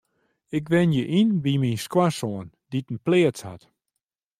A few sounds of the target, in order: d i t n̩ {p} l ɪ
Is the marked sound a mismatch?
no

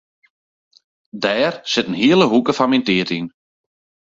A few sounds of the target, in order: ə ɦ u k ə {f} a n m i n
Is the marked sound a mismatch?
no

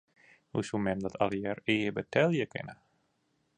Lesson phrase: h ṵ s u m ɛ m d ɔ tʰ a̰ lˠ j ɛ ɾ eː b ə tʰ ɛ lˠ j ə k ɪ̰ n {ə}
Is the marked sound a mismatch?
no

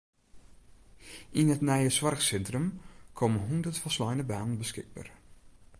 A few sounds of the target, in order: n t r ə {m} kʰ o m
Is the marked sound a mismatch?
no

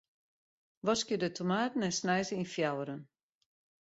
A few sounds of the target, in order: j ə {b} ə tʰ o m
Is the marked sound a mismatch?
yes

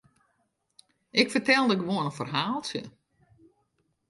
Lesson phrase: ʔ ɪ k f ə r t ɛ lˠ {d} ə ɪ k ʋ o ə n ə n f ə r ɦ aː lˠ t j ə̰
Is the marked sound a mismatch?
no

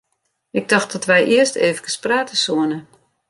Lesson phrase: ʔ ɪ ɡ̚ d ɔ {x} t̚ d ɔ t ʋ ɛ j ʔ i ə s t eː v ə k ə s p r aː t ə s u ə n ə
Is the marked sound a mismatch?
no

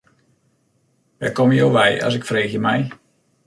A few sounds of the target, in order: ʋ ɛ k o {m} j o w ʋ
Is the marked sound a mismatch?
no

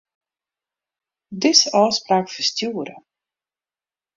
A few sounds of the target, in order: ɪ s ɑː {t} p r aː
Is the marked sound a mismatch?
yes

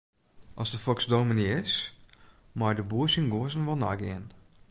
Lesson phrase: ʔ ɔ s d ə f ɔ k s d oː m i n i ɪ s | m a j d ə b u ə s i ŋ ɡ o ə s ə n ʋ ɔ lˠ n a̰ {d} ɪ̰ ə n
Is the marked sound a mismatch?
yes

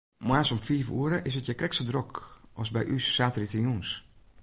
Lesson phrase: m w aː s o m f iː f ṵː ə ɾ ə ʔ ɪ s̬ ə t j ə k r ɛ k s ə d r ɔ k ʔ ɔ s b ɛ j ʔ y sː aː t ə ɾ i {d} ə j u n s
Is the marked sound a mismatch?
yes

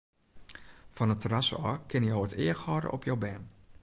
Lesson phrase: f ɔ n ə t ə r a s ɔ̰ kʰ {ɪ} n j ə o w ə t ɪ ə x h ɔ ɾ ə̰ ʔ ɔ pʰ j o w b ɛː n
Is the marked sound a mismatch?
no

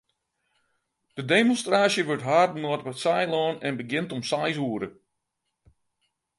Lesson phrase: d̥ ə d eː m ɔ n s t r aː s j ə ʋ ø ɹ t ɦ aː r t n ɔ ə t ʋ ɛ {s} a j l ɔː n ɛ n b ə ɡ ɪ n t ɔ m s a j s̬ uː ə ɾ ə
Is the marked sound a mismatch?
no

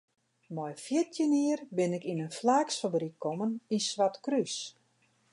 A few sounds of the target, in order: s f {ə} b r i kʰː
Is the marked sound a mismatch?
yes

